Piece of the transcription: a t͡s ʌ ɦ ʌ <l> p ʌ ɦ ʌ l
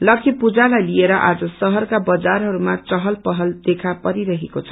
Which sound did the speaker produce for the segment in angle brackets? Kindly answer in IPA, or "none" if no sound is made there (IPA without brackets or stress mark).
l